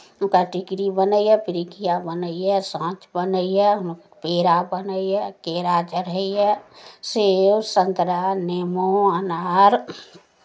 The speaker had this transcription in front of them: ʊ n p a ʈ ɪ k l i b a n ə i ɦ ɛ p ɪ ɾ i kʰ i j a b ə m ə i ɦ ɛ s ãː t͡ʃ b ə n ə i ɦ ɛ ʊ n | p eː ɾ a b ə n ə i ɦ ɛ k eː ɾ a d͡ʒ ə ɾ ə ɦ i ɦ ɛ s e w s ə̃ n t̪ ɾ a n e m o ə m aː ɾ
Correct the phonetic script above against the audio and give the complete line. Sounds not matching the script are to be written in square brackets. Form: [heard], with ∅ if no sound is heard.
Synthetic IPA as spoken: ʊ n [k] a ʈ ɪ k [ɾ] i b [ə] n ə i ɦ ɛ p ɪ ɾ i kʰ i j a b ə [n] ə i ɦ ɛ s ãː t͡ʃ b ə n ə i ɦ ɛ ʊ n | p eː ɾ a b ə n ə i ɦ ɛ k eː ɾ a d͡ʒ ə ɾ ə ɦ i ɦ ɛ s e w s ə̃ n t̪ ɾ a n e m o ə [n] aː ɾ